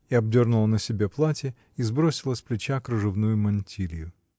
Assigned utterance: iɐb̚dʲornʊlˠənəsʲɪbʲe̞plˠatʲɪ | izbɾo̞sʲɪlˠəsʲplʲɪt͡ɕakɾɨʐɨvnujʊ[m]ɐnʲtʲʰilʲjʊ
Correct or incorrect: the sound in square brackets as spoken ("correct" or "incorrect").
correct